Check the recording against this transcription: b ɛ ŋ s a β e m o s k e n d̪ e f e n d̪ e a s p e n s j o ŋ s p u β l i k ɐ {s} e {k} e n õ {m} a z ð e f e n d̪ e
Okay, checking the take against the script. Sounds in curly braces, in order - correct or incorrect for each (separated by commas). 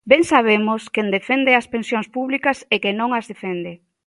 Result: correct, correct, incorrect